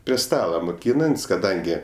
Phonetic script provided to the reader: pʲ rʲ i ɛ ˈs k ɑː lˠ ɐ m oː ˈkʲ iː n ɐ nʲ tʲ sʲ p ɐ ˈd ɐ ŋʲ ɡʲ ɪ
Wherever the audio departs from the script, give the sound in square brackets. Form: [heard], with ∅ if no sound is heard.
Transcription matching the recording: pʲ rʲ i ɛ ˈs [t] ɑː lˠ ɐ m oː ˈkʲ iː n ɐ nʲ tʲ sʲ [k] ɐ ˈd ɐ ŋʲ ɡʲ ɪ